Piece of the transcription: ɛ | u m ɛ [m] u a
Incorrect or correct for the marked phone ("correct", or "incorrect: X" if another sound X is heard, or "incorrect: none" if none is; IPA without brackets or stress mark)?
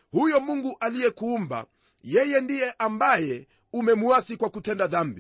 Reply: correct